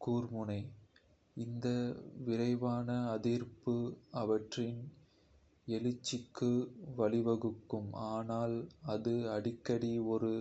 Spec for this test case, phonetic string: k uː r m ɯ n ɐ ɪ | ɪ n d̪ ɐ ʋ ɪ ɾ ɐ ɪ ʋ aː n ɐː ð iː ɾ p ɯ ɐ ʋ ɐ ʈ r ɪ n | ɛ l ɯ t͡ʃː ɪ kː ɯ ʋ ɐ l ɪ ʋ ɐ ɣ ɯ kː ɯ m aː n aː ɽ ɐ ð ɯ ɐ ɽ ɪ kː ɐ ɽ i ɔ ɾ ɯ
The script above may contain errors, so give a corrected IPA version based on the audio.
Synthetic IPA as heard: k uː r m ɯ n ɐ ɪ | ɪ n d̪ ɐ ʋ ɪ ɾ ɐ ɪ ʋ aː n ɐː ð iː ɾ p ɯ ɐ ʋ ɐ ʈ r ɪ n | ɛ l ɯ t͡ʃː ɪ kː ɯ ʋ ɐ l ɪ ʋ ɐ ɣ ɯ kː ɯ m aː n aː l ɐ ð ɯ ɐ ɽ ɪ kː ɐ ɽ i ɔ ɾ ɯ